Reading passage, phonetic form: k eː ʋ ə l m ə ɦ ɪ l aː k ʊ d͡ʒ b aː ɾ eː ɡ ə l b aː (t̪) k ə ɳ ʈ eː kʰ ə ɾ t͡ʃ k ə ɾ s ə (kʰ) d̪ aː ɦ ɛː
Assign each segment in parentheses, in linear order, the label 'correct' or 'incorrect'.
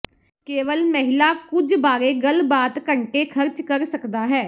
correct, incorrect

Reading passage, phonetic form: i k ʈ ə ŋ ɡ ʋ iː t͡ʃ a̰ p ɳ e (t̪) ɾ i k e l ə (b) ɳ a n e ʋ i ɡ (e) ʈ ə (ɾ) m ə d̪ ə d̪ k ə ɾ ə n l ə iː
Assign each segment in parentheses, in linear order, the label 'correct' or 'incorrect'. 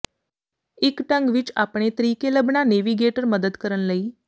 correct, correct, correct, correct

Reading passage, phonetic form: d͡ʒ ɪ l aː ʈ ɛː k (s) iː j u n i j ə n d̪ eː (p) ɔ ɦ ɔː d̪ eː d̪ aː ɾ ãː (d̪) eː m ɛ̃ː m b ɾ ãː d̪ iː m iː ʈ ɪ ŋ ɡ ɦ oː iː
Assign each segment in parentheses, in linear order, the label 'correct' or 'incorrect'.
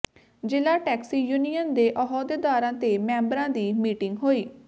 correct, incorrect, incorrect

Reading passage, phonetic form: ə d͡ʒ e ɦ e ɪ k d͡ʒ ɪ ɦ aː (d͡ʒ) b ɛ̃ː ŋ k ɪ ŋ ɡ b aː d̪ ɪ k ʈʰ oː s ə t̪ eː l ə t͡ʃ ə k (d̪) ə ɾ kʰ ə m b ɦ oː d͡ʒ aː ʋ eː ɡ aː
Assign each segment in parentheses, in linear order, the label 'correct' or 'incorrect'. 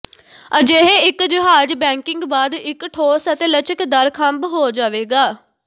correct, correct

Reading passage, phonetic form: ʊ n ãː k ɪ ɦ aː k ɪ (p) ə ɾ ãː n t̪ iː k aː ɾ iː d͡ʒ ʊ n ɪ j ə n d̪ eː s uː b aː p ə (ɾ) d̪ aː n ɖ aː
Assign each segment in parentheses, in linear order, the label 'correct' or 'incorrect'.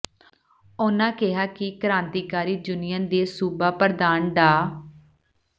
incorrect, correct

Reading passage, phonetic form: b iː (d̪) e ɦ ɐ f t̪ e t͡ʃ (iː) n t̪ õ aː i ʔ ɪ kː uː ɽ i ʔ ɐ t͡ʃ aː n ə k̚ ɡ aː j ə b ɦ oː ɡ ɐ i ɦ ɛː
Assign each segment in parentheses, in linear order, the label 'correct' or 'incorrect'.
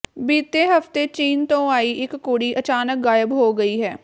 incorrect, correct

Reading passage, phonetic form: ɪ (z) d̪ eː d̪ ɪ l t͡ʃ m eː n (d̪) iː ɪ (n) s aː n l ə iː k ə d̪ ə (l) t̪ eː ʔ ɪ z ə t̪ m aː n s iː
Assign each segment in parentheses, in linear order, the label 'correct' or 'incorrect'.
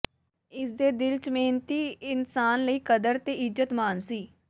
incorrect, incorrect, correct, incorrect

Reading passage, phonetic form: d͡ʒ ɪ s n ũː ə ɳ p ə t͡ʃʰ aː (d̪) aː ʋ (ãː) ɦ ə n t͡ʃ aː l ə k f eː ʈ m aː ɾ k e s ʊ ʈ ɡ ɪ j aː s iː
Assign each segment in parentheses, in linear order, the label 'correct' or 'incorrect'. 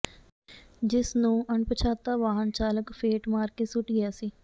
incorrect, incorrect

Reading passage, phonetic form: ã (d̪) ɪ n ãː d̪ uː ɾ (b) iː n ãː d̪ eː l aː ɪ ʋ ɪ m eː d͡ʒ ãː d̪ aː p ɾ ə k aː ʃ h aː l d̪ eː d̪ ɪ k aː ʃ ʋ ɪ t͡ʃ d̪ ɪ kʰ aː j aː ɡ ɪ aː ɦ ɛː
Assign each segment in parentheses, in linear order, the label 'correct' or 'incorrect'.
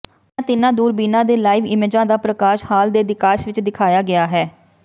incorrect, correct

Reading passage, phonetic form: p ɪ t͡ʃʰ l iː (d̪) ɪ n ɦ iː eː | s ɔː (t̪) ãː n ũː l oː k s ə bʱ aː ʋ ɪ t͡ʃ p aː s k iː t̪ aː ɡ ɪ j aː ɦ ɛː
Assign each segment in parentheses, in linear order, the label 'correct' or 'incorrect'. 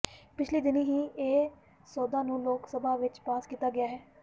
correct, incorrect

